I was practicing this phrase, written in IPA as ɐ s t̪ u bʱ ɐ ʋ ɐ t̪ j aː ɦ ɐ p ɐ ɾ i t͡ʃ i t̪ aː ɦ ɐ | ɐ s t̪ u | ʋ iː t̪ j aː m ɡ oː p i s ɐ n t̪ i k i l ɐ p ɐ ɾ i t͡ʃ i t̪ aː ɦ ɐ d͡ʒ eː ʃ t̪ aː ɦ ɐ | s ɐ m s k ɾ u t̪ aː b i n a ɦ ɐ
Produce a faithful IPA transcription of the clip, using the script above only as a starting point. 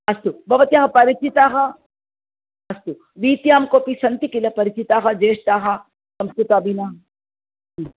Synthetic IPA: ɐ s t̪ u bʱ ɐ ʋ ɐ t̪ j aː ɦ ɐ p ɐ ɾ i t͡ʃ i t̪ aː ɦ ɐ | ɐ s t̪ u | ʋ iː t̪ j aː m k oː p i s ɐ n t̪ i k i l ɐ p ɐ ɾ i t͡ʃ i t̪ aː ɦ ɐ d͡ʒ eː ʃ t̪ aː ɦ ɐ | s ɐ m s k ɾ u t̪ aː b i n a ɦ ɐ